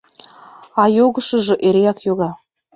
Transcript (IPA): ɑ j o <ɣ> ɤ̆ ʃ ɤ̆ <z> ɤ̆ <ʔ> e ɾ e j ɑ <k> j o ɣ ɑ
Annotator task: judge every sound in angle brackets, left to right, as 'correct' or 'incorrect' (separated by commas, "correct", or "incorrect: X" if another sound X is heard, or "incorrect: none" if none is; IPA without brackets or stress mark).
correct, incorrect: ʒ, correct, correct